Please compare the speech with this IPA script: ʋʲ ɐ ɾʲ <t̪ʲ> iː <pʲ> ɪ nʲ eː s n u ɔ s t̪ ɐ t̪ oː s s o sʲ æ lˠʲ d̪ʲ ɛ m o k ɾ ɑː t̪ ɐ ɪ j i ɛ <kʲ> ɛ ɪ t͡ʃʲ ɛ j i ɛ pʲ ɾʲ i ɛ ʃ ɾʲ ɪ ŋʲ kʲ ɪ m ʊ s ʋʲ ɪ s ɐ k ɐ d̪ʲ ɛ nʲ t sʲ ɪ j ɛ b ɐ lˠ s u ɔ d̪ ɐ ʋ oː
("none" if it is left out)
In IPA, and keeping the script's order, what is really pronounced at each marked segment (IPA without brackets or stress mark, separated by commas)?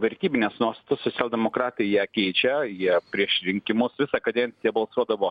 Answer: t̪ʲ, bʲ, kʲ